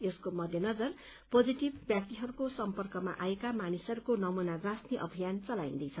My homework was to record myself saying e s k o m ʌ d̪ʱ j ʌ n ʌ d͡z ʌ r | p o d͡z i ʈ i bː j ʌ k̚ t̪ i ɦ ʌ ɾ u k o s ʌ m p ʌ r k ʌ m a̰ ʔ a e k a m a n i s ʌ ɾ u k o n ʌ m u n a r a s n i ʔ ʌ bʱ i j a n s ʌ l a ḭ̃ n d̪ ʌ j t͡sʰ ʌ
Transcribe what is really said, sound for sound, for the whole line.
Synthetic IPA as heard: e s k o m ʌ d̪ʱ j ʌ n ʌ d͡z ʌ r | p o d͡z i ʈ i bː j a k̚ t̪ i ɦ ʌ ɾ u k o s ʌ m p ʌ r k ʌ m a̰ ʔ a e k a m a n i s ʌ ɾ u k o n ʌ m u n a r a s n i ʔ ʌ bʱ i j a n t͡s ʌ l a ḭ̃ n d̪ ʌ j t͡sʰ ʌ

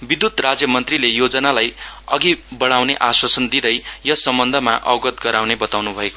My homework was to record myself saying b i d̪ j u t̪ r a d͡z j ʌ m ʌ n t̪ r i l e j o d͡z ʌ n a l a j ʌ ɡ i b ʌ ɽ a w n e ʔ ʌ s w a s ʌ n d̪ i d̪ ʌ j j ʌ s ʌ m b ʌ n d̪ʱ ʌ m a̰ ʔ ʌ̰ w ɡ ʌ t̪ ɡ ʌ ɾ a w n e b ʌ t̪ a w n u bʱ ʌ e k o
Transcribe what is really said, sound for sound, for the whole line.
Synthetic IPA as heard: b i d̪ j u t̪ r a d͡z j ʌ m ʌ n t̪ r i l e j o d͡z ʌ n a l a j ʌ ɡ i b ʌ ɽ a w n e ʔ a s w a s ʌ n d̪ i d̪ ʌ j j ʌ s ʌ m b ʌ n d̪ʱ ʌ m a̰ ʔ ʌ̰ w ɡ ʌ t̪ ɡ ʌ ɾ a w n e b ʌ t̪ a w n u bʱ ʌ e k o

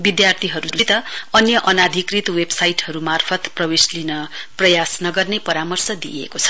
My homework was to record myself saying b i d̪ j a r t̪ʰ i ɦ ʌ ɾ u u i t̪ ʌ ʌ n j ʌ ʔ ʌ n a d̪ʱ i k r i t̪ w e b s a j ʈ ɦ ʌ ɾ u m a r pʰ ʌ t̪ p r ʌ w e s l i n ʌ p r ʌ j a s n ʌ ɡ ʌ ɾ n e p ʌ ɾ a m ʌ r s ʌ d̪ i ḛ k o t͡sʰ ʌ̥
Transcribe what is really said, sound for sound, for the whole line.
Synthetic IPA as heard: b i d̪ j a r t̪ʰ i ɦ ʌ ɾ u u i t̪ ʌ ʌ n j ʌ ʔ ʌ n a d̪ʱ i k r i t̪ w e b s a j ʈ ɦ ʌ ɾ u m a r pʰ ʌ t̪ p r ʌ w e s l i n ʌ p r ʌ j a s n ʌ ɡ ʌ r n e p ʌ ɾ a m ʌ r s ʌ d̪ i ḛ k o t͡sʰ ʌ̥

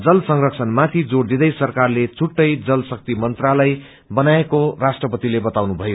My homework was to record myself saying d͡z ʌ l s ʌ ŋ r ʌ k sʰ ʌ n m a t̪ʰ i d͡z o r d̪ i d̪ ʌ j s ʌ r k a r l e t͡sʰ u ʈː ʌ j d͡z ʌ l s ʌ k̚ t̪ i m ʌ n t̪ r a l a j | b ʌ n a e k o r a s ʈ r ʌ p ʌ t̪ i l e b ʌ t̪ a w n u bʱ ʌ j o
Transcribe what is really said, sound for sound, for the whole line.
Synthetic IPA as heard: d͡z ʌ l s ʌ ŋ r ʌ k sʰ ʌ n m a t̪ʰ i d͡z o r d̪ i d̪ ʌ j s ʌ r k a r l e t͡sʰ u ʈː ʌ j d͡z ʌ l s ʌ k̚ t̪ i m ʌ n t̪ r a l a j | b ʌ n a e k o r a s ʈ r ʌ p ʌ t̪ i l e b ʌ t̪ a w n u bʱ ʌ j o

